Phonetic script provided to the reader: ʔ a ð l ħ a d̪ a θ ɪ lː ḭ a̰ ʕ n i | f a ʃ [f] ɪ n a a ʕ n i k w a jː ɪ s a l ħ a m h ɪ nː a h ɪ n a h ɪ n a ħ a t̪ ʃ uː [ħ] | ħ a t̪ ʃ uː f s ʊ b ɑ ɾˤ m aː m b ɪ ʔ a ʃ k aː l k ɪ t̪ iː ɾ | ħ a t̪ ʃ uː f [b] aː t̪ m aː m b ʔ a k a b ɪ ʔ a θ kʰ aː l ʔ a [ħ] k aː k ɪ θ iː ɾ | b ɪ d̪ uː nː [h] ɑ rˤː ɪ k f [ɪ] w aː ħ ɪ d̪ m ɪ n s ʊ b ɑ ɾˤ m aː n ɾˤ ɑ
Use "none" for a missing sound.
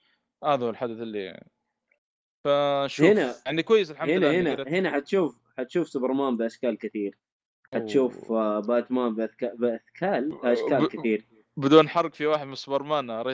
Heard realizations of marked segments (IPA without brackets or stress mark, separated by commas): h, f, b, ʃ, ħ, i